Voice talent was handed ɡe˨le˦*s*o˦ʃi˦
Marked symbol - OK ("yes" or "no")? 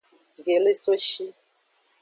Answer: yes